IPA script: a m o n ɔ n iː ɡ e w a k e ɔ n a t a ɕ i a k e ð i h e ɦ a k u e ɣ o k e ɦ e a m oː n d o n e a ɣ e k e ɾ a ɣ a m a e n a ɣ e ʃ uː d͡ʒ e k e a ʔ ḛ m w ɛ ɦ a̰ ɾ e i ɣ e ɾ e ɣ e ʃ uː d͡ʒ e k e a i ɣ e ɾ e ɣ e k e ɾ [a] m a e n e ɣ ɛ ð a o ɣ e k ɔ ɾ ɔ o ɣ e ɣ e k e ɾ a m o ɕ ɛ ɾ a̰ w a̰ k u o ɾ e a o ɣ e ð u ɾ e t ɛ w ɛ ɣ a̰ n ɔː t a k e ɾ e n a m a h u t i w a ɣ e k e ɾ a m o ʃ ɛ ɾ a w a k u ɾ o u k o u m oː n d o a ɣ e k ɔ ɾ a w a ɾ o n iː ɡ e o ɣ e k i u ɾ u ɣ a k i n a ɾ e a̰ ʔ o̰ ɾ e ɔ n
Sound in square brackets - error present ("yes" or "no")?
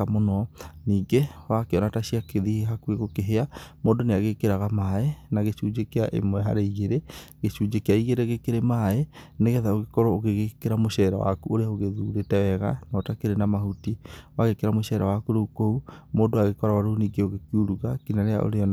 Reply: yes